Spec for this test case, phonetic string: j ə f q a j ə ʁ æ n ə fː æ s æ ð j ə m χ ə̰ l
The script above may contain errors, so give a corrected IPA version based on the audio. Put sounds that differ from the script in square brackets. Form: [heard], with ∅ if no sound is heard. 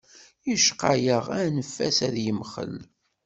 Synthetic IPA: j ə [ʃ] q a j ə ʁ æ n ə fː æ s æ ð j ə m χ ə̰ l